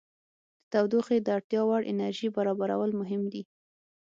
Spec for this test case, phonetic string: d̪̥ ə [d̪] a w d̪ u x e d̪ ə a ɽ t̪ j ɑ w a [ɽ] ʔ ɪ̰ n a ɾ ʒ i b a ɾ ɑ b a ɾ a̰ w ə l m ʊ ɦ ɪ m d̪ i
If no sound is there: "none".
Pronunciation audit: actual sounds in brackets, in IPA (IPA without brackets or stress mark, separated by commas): t̪, ɽ